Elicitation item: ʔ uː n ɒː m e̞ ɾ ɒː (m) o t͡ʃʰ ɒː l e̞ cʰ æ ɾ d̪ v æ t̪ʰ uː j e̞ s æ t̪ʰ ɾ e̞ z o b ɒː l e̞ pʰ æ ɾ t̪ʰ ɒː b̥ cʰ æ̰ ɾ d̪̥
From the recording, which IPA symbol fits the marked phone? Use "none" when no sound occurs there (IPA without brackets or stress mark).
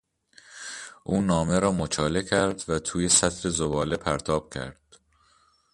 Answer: m